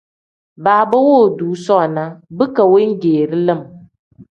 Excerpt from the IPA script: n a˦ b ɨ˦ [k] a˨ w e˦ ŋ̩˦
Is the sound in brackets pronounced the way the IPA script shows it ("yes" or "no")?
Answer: yes